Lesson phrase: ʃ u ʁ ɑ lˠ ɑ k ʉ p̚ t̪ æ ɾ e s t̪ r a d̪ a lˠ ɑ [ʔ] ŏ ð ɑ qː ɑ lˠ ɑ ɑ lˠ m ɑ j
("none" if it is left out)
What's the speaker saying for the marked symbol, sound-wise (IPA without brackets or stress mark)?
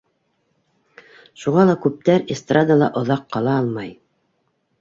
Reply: ʔ